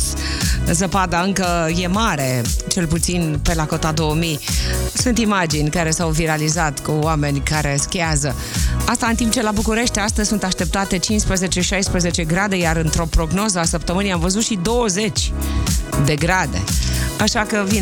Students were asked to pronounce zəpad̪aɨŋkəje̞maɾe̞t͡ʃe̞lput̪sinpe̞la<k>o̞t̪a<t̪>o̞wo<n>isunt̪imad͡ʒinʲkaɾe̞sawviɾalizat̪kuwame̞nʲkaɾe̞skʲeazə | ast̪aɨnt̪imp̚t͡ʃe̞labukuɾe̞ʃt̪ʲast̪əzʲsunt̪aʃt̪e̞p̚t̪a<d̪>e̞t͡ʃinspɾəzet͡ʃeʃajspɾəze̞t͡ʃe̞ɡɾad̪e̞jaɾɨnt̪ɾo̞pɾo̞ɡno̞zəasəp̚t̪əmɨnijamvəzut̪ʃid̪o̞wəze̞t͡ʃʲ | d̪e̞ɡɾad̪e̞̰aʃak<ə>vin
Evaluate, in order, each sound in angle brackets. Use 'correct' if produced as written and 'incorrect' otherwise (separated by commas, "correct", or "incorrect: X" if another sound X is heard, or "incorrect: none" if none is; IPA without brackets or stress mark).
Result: correct, incorrect: d̪, incorrect: m, incorrect: t̪, correct